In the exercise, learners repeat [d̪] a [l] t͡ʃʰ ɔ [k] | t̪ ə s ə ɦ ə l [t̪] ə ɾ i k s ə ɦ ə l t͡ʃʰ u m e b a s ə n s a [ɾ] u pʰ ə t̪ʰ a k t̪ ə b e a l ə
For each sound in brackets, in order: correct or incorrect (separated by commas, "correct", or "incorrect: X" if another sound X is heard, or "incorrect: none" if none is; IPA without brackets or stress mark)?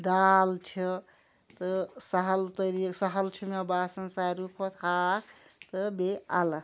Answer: correct, correct, incorrect: none, correct, correct